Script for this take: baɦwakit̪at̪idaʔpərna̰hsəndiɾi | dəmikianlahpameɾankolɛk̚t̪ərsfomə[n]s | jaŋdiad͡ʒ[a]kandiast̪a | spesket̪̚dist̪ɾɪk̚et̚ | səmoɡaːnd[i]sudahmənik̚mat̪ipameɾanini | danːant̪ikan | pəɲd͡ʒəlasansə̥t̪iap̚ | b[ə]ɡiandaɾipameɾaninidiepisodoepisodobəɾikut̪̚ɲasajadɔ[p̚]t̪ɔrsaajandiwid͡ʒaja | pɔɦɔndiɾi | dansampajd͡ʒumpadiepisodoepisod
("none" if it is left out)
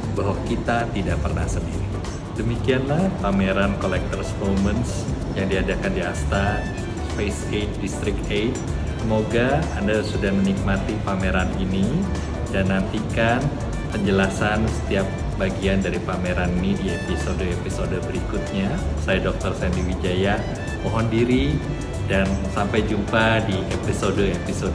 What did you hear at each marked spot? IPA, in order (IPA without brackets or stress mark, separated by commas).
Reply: n, a, a, a, k̚